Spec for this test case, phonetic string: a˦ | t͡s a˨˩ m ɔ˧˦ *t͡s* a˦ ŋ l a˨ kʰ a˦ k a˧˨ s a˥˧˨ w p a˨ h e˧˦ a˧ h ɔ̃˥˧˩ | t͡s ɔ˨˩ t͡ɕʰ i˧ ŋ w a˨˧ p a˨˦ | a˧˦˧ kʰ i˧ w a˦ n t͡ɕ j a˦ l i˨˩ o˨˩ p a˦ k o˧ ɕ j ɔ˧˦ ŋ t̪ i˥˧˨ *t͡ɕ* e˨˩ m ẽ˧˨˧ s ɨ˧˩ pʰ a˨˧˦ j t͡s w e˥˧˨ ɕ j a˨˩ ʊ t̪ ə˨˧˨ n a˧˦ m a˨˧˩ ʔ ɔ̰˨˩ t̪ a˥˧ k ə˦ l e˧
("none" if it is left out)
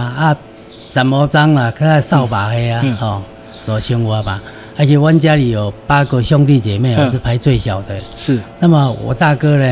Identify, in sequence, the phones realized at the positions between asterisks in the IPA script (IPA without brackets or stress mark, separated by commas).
t͡s, t͡ɕ